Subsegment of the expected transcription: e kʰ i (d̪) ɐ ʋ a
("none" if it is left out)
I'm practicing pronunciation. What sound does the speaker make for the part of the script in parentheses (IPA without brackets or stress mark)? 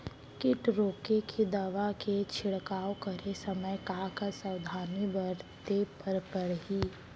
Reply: d̪